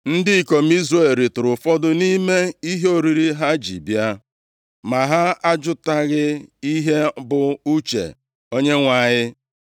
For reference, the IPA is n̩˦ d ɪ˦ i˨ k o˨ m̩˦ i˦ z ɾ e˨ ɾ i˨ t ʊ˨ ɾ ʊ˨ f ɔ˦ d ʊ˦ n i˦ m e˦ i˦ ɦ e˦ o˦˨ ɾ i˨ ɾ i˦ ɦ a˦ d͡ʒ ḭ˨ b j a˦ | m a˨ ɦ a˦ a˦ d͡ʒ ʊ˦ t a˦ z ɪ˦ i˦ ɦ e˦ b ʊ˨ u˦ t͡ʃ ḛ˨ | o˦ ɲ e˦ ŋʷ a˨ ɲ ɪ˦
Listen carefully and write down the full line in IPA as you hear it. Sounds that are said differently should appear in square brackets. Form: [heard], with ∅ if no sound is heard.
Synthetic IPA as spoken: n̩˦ d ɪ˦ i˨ k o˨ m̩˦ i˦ z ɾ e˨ ɾ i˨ t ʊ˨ ɾ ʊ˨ f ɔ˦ d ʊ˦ n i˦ m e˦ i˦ ɦ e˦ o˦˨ ɾ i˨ ɾ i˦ ɦ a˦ d͡ʒ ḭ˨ b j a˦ | m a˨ ɦ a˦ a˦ d͡ʒ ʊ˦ t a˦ [ɣ] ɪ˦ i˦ ɦ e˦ b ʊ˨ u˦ t͡ʃ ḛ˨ | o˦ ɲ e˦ ŋʷ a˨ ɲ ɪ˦